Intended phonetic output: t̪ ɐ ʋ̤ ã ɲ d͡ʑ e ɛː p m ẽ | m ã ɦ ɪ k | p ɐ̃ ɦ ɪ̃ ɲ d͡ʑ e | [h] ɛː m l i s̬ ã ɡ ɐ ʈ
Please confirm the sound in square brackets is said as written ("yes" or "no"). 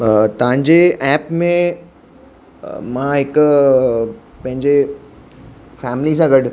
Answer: no